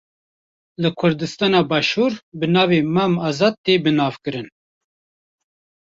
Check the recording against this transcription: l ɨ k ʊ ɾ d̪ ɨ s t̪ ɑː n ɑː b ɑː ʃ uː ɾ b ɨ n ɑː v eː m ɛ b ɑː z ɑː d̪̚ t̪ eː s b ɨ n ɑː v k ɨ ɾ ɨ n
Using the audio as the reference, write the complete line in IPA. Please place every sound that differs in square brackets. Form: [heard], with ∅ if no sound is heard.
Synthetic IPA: l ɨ [kʰ] ʊ ɾ d̪ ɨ s t̪ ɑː n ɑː b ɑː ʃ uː ɾ b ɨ n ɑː v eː m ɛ [m] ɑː z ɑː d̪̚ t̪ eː [∅] b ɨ n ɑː v k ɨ ɾ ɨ n